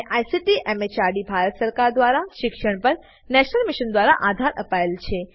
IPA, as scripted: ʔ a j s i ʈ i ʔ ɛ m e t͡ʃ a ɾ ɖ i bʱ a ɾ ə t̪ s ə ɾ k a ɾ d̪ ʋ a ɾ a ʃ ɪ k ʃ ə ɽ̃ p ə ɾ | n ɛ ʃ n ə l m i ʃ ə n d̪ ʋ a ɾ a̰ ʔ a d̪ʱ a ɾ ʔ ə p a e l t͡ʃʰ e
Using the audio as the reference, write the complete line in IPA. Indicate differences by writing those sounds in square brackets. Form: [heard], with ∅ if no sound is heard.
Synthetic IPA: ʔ a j s i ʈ i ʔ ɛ m e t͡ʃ a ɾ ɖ i bʱ a ɾ ə t̪ s ə ɾ k a ɾ d̪ ʋ a ɾ a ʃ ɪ k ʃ ə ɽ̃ p ə ɾ | n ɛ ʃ n ə l m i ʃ ə n d̪ ʋ a ɾ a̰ ʔ a d̪ʱ a ɾ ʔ ə p a e l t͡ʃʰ e